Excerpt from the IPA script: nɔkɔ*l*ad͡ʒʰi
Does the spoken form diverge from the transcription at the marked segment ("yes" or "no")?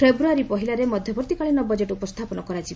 yes